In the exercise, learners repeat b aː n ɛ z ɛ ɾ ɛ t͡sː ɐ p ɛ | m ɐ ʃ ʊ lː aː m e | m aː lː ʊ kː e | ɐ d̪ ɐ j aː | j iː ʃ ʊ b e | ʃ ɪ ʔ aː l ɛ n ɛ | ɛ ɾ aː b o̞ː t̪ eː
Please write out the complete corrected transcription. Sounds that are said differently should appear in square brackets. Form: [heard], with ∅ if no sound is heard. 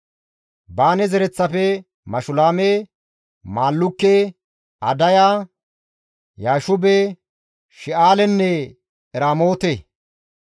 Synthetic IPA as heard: b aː n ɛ z ɛ ɾ ɛ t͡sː ɐ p ɛ | m ɐ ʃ ʊ [l] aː m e | m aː lː ʊ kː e | ɐ d̪ ɐ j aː | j [aː] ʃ ʊ b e | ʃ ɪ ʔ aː l ɛ [nː] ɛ | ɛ ɾ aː [m] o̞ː t̪ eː